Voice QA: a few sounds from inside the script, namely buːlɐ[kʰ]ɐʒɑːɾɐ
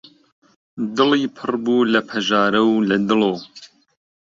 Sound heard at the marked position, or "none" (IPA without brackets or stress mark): pʰ